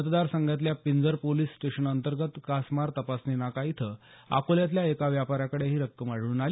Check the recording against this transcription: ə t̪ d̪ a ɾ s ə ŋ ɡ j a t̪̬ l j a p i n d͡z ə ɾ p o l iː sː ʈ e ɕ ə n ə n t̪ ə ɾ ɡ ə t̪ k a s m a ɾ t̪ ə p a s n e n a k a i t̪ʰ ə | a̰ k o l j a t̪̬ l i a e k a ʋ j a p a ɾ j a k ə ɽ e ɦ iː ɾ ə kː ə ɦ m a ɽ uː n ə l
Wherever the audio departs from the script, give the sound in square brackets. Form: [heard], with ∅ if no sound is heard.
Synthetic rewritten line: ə t̪ d̪ a ɾ s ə ŋ ɡ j a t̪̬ l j a p i n d͡z ə ɾ p o l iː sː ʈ e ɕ ə n ə n t̪ ə ɾ ɡ ə t̪ k a s m a ɾ t̪ ə p a s n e n a k a i t̪ʰ ə | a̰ k o l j a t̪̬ l [j] a e k a ʋ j a p a ɾ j a k ə ɽ e ɦ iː ɾ ə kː ə [∅] m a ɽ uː n [a] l